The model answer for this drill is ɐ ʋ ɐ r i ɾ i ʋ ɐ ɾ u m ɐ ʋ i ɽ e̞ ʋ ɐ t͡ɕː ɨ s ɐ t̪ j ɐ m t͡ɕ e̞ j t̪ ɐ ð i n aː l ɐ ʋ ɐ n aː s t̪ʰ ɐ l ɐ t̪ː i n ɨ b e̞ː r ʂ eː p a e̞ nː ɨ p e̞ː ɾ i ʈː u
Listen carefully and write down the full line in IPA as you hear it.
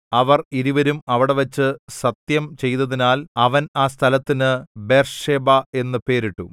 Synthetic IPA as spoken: ɐ ʋ ɐ r i ɾ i ʋ ɐ ɾ u m ɐ ʋ i ɽ e̞ ʋ ɐ t͡ɕː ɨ s ɐ t̪ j ɐ m t͡ɕ e̞ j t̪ ɐ ð i n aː l ɐ ʋ ɐ n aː s t̪ʰ ɐ l ɐ t̪ː i n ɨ b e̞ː r ʂ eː b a e̞ nː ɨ p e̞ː ɾ i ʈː u